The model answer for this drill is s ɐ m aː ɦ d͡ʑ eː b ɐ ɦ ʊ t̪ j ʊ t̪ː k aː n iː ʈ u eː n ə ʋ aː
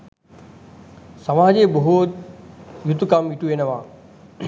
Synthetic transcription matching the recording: s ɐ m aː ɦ d͡ʑ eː b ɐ ɦ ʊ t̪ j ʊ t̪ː k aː m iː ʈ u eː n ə ʋ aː

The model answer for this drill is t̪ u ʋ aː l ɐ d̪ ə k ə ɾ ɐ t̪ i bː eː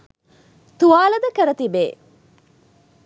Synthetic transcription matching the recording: t̪ u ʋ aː l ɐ d̪ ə k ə ɾ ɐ t̪ i b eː

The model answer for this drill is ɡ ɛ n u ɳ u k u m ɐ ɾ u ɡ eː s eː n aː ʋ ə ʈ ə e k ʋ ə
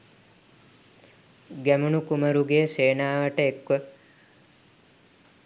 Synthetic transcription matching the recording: ɡ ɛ m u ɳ u k u m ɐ ɾ u ɡ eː s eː n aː ʋ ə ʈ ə e k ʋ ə

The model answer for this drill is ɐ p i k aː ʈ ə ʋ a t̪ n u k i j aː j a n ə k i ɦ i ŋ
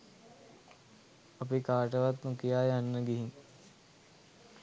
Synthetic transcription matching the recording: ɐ p i k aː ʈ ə ʋ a t̪ n u k i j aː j a nː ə ɡ i ɦ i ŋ

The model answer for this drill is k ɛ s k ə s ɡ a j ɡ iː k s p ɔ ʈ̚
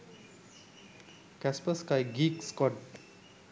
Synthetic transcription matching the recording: k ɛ s p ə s k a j ɡ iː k s k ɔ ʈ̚

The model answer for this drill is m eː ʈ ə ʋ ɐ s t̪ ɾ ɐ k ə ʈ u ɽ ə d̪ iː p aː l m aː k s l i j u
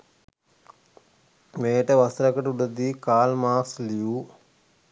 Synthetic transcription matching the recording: m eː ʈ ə ʋ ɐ s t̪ ɾ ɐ k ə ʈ u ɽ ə d̪ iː k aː l m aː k s l i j u

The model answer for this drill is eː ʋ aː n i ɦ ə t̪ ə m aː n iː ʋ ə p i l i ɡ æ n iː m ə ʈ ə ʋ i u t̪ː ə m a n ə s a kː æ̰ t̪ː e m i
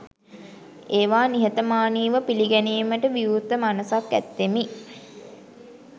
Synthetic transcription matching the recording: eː ʋ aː n i ɦ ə t̪ ə m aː n iː ʋ ə p i l i ɡ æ n iː m ə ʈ ə ʋ i u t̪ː ə m a n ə s a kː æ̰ t̪ː e m i

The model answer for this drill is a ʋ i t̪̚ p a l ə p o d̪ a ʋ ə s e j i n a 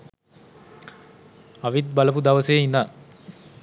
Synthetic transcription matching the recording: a ʋ i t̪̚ b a l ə p u d̪ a ʋ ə s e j i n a

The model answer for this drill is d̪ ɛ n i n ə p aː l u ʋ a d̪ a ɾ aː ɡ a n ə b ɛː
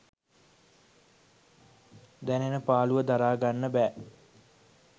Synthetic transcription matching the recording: d̪ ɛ n e n ə p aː l u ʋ ə d̪ a ɾ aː ɡ a nː ə b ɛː

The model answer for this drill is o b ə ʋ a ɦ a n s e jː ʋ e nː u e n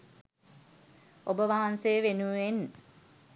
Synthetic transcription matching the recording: o b ə ʋ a ɦ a n s e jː ʋ e n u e n

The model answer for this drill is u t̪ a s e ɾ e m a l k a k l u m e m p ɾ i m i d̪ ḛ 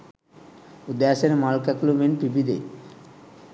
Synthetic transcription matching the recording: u d̪ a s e ɾ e m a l k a k l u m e n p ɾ i b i d̪ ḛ

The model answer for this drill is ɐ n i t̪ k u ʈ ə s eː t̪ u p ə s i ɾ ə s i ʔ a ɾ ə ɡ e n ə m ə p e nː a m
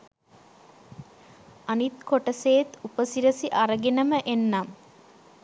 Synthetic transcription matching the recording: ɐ n i t̪ k o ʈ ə s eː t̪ u p ə s i ɾ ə s i ʔ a ɾ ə ɡ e n ə m ə ʔ e nː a m

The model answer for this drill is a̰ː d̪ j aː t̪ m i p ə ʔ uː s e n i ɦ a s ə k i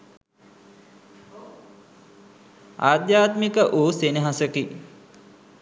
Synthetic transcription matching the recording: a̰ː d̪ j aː t̪ m i k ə ʔ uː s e n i ɦ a s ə k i

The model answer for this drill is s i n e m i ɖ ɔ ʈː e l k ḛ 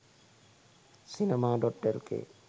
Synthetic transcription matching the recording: s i n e m a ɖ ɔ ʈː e l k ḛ

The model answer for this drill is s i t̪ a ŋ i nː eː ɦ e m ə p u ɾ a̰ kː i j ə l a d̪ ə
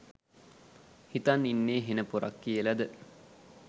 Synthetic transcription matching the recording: h i t̪ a n i nː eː ɦ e n ə p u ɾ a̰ kː i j ə l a d̪ ə

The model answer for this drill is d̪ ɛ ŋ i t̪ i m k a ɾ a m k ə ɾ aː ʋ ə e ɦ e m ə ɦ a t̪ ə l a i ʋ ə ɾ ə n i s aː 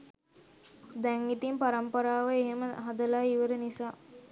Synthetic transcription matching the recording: d̪ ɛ ŋ i t̪ i m p a ɾ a m p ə ɾ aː ʋ ə e ɦ e m ə ɦ a d̪ ə l a i ʋ ə ɾ ə n i s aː

